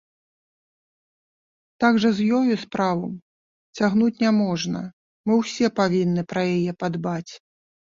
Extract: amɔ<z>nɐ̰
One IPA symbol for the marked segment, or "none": ʐ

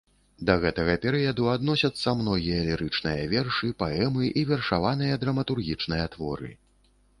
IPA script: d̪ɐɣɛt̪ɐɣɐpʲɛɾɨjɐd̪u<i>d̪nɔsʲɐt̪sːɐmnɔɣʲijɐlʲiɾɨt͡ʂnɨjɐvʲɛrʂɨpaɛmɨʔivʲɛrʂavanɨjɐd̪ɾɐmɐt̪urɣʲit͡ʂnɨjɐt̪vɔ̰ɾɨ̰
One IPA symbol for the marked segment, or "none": a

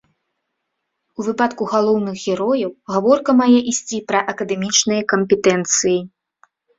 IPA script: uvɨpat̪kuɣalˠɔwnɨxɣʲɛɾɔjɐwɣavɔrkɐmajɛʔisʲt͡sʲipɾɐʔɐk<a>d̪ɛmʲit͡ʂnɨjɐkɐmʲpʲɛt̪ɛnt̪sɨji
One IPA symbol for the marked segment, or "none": ɐ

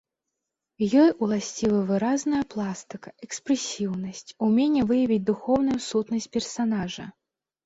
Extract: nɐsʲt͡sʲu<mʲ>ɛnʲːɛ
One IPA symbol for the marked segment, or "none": mʲ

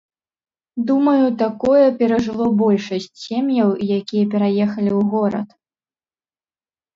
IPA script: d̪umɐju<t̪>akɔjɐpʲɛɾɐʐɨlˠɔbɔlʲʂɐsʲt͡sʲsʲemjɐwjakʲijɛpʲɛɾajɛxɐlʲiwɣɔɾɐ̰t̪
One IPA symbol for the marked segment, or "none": t̪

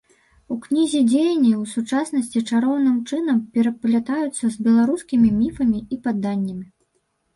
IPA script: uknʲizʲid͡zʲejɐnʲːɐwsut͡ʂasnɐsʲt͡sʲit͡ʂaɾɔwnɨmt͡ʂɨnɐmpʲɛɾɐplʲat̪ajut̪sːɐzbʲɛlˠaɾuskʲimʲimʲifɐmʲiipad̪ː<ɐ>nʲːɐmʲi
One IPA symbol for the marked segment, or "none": a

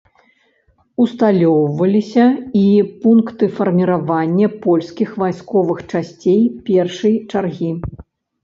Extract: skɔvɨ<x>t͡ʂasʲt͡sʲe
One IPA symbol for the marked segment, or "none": x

